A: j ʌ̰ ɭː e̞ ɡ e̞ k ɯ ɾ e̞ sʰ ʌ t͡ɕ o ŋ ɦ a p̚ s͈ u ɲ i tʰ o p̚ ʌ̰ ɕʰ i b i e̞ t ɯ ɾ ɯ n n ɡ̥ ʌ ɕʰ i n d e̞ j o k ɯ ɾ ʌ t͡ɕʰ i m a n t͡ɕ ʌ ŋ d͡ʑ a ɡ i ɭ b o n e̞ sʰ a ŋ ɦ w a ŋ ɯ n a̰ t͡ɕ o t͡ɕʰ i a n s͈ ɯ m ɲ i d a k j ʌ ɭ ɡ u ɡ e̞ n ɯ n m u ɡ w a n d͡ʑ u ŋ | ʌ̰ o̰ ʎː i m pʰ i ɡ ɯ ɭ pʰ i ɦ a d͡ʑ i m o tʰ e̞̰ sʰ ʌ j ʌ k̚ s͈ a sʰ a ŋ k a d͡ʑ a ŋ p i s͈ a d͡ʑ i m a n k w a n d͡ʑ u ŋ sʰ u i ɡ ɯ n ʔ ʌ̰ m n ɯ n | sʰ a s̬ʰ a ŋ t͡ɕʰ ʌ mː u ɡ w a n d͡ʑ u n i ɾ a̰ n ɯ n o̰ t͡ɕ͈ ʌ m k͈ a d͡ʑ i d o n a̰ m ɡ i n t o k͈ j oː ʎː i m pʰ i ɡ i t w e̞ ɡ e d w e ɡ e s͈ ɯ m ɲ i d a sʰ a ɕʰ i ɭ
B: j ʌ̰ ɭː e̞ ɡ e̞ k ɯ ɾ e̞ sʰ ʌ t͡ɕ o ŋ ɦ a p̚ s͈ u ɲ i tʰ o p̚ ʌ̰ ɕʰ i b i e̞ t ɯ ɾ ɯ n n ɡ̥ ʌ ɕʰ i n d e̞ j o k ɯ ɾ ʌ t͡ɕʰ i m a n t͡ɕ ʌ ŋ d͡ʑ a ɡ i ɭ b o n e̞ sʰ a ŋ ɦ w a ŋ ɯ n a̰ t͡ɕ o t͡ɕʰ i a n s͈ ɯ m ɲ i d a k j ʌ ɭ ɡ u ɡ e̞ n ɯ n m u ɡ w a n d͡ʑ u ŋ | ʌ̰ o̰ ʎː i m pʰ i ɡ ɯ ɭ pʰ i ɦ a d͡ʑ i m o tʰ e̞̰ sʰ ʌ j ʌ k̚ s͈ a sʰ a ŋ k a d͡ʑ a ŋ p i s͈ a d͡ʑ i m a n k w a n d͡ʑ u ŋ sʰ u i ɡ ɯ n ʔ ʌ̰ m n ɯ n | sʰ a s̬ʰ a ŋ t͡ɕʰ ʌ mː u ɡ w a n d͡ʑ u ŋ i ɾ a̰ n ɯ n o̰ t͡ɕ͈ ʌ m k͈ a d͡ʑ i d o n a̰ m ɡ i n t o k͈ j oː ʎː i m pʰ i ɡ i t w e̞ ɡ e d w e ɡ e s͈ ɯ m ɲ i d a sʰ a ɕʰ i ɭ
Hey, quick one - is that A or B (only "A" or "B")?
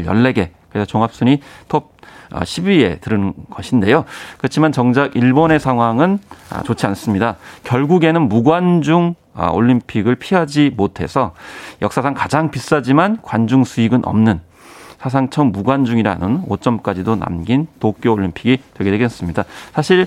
B